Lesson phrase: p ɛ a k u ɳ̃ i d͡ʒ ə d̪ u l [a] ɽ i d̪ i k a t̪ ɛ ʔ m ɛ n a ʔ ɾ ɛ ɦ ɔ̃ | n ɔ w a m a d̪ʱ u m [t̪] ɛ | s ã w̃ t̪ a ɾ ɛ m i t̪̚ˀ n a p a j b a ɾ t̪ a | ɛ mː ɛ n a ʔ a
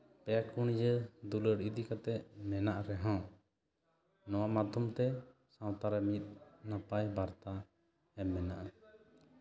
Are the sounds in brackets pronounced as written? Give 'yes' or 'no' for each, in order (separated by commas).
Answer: no, yes